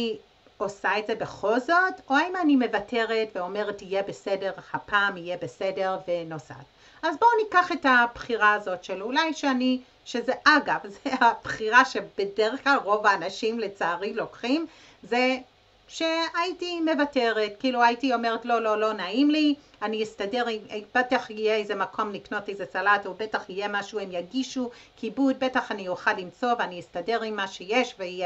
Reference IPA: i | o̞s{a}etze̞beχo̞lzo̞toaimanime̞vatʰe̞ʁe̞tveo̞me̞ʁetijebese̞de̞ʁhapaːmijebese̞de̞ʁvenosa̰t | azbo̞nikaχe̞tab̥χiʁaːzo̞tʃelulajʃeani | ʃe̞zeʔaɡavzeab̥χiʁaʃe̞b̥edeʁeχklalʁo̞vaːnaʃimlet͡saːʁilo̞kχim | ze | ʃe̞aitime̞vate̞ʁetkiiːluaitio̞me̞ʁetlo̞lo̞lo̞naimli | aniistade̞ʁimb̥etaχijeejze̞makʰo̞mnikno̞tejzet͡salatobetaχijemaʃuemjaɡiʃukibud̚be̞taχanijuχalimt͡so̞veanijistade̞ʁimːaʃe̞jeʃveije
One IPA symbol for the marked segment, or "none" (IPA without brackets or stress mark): a